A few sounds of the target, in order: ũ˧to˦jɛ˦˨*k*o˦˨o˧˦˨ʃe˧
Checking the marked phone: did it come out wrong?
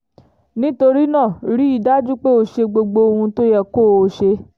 no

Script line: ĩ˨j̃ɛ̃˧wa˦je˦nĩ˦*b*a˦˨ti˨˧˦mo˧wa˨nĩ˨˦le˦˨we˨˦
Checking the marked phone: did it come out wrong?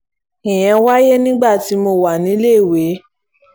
yes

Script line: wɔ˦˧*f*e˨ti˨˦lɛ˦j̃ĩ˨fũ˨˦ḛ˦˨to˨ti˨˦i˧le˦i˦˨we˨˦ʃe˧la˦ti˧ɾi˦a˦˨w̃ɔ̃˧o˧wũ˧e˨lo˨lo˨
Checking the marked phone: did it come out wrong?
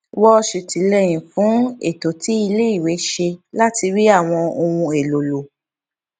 yes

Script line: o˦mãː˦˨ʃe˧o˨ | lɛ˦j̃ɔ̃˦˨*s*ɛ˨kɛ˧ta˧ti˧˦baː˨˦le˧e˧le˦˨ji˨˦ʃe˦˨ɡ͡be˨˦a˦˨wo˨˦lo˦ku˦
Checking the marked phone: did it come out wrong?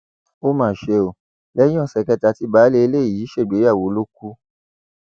no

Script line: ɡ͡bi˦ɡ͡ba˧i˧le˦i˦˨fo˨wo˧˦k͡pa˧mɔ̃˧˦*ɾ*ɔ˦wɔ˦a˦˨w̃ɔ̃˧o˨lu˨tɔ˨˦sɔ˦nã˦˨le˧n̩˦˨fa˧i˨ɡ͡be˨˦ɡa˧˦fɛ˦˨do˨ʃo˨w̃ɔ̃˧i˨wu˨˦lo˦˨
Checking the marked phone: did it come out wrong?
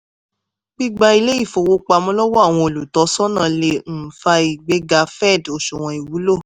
yes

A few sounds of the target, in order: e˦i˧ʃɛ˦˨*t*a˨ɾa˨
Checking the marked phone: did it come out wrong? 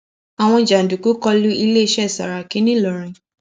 yes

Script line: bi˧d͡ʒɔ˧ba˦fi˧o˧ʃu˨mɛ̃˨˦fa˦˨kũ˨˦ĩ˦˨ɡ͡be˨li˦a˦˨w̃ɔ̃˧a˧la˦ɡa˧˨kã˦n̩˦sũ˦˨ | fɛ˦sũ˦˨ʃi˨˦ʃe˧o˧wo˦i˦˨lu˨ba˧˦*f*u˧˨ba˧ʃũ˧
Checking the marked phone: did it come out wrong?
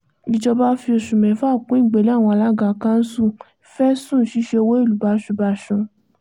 yes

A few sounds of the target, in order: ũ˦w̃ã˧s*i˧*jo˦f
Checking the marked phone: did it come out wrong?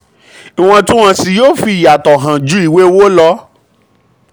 no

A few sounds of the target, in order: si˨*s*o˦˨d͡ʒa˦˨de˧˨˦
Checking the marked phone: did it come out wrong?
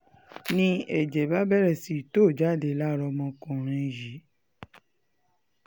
yes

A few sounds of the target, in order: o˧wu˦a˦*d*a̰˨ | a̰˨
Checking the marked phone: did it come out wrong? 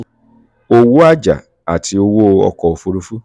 yes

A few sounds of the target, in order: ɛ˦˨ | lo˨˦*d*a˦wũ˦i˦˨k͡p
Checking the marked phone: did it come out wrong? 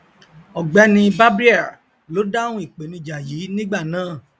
no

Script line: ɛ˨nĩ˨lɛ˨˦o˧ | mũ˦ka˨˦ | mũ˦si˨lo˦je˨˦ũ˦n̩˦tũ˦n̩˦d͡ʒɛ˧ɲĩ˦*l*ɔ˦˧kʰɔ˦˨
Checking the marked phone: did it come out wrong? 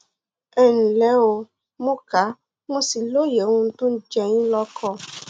no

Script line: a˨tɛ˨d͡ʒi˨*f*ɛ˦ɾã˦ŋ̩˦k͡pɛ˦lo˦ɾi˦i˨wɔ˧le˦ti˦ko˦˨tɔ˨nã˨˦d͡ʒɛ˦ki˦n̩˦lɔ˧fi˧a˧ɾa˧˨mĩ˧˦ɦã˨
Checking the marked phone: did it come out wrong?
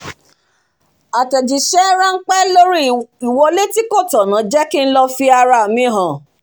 yes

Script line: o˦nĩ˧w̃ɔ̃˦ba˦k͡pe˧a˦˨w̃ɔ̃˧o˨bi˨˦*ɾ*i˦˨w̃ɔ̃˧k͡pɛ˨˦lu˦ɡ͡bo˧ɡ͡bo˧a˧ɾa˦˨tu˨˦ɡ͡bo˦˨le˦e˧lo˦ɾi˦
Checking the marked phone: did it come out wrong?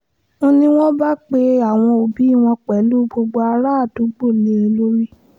yes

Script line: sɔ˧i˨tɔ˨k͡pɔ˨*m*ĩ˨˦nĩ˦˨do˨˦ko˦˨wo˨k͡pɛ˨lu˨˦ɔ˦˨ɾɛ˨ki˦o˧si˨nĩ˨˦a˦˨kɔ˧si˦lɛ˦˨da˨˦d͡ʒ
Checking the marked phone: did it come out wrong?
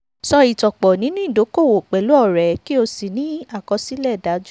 yes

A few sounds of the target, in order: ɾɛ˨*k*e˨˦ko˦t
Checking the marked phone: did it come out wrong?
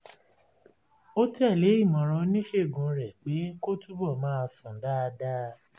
yes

